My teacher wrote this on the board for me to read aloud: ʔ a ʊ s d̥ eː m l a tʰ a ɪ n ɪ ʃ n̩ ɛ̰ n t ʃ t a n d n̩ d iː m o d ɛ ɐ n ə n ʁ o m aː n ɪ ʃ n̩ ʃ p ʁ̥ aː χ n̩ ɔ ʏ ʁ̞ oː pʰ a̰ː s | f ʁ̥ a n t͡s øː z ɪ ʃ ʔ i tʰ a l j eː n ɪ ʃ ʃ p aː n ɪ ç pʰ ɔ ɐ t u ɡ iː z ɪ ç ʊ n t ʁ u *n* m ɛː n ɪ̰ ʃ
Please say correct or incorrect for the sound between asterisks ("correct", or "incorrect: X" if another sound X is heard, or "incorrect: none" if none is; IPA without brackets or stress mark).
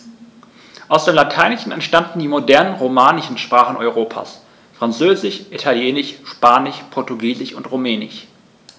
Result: incorrect: none